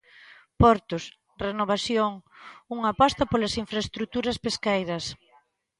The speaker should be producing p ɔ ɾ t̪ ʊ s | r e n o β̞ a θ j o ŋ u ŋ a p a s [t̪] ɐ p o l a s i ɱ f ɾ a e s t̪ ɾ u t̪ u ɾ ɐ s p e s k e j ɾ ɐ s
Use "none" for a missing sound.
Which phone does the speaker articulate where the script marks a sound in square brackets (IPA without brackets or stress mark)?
t̪